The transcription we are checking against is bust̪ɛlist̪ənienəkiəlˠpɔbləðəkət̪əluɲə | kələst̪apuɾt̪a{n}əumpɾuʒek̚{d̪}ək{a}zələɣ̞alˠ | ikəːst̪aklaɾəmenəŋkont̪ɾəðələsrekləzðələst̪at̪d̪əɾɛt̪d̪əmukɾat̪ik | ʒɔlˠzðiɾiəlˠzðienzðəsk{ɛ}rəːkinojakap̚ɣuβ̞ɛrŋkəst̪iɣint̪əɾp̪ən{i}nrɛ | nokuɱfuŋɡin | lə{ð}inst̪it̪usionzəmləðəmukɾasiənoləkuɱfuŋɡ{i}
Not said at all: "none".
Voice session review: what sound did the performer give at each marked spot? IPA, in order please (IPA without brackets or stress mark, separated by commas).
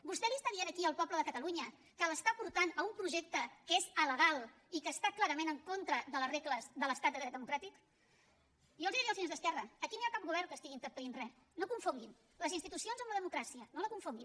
n, t̪, e, ɛ, i, z, i